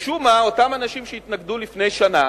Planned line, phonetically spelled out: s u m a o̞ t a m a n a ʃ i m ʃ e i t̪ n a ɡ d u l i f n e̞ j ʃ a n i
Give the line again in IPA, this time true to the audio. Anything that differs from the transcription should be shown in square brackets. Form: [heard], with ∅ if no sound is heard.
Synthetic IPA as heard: [ʃ] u m a o̞ t a m a n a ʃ i m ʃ e i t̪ n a ɡ d u l i f n e̞ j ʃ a n [a]